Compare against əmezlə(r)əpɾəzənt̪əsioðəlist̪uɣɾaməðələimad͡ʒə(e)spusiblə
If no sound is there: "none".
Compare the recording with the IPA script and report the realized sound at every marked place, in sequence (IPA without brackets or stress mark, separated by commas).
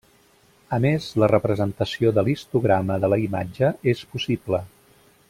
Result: r, e